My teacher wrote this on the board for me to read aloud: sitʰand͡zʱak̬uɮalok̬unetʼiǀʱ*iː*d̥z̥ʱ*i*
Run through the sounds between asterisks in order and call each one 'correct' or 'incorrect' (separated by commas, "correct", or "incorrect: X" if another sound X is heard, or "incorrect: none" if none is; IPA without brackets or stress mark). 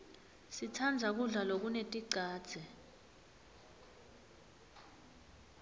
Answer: incorrect: aː, incorrect: ɛ